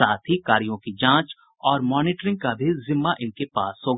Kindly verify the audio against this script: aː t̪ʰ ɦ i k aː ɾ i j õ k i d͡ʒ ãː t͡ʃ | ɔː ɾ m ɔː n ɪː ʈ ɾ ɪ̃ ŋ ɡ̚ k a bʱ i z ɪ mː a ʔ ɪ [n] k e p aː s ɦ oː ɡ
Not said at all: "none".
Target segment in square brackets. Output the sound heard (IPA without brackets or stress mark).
n